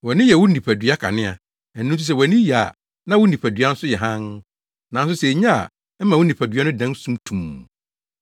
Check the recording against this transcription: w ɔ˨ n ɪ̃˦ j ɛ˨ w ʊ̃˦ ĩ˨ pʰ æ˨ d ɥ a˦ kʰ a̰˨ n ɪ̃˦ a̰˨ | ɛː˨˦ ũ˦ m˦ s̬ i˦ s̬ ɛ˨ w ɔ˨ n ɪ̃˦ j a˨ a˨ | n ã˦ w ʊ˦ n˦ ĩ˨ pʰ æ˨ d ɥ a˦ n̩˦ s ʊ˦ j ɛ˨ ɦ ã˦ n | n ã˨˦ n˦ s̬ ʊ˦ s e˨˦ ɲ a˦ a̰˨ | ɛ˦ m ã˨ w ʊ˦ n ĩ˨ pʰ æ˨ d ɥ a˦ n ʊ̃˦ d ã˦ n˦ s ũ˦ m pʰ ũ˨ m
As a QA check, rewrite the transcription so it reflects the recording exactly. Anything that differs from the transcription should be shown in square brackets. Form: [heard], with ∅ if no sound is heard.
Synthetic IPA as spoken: w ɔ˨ n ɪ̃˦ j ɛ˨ w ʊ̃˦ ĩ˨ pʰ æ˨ d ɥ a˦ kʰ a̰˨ n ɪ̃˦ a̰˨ | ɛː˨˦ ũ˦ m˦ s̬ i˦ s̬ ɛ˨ w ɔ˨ n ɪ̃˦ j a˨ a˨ | n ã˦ w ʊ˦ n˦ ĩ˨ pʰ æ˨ d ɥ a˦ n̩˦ s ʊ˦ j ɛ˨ ɦ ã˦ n | n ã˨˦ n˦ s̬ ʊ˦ s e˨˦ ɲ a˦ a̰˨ | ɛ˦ m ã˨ w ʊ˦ n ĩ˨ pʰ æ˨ d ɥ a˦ n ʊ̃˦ d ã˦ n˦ s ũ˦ m [tʰ] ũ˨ m

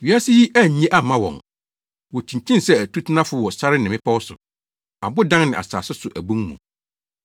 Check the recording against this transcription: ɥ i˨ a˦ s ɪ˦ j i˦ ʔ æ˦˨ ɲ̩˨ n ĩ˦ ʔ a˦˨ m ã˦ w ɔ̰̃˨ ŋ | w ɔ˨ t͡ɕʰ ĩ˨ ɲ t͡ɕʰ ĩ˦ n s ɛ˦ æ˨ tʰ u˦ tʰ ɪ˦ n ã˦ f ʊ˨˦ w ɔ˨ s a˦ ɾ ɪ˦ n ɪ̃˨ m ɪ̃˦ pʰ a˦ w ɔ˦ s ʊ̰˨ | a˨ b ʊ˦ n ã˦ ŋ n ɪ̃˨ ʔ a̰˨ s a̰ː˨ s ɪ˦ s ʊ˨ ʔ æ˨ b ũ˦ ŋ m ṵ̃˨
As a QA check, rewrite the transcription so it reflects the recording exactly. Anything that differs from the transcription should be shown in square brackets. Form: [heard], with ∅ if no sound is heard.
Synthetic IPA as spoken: ɥ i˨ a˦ s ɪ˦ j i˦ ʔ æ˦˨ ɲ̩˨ [ɲ] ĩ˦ ʔ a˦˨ m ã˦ w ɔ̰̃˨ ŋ | w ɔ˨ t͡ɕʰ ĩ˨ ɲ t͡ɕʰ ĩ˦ n s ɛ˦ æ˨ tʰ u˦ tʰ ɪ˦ n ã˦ f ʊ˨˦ w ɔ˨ s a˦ ɾ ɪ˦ n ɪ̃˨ m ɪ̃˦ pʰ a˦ w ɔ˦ s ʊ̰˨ | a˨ b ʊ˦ [d] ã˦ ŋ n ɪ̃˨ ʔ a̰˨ s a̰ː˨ s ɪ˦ s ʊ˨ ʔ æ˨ b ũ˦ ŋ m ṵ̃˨

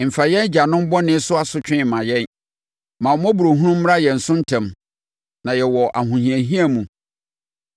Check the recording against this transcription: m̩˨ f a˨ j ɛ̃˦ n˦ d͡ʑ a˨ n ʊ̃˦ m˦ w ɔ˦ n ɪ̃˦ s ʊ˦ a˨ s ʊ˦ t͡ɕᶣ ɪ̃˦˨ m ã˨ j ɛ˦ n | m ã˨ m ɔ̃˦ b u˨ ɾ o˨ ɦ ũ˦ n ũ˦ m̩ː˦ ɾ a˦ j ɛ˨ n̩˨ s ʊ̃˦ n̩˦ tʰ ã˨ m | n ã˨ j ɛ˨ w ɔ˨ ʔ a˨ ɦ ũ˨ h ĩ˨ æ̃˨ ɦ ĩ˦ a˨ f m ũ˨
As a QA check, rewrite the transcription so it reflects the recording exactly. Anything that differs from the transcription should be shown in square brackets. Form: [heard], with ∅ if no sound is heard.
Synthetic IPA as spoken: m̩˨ f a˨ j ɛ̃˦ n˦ d͡ʑ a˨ n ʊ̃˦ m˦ [b] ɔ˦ n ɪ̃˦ s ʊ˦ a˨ s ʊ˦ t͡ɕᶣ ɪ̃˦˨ m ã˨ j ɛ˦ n | m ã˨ m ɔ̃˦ b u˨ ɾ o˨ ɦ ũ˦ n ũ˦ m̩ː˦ ɾ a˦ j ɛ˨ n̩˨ s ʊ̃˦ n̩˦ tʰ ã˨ m | n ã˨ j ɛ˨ w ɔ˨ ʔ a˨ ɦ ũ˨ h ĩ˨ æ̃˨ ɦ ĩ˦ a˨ [∅] m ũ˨

